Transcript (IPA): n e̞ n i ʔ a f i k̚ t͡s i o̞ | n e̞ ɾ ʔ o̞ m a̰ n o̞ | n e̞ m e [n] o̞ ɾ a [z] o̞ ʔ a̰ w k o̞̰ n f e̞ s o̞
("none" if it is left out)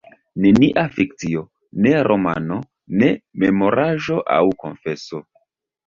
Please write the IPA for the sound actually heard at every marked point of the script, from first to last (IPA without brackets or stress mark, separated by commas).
m, ʒ